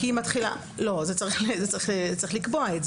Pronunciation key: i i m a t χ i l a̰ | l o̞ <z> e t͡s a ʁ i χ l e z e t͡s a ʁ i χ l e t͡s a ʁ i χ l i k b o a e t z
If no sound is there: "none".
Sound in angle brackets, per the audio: z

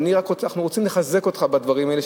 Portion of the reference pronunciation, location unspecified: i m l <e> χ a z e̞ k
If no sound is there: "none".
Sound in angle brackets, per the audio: e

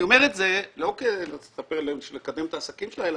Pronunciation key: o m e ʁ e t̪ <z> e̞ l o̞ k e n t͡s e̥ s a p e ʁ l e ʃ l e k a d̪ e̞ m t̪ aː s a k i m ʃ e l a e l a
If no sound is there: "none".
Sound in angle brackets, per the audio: z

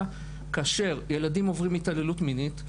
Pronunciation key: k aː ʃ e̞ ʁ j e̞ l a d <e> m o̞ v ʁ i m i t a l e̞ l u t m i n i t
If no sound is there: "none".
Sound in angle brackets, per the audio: i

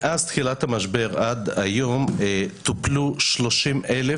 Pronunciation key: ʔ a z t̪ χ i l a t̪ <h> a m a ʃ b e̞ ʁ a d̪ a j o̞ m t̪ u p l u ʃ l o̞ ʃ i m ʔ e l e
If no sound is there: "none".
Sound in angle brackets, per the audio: h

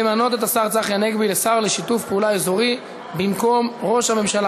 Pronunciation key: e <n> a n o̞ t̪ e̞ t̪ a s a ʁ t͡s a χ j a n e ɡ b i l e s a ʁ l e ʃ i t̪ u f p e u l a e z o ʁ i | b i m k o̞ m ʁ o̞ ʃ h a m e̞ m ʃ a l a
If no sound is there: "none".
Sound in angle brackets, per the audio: m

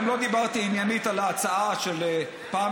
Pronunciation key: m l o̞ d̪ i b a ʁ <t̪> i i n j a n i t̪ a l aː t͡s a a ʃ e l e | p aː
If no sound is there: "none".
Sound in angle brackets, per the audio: t̪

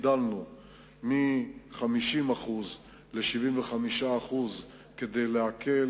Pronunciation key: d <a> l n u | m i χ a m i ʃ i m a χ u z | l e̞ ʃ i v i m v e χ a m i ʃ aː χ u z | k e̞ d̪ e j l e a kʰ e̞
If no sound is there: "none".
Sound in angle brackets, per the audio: a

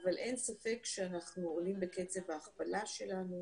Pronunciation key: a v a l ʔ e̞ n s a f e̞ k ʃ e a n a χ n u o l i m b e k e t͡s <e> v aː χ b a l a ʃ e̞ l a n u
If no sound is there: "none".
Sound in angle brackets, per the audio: e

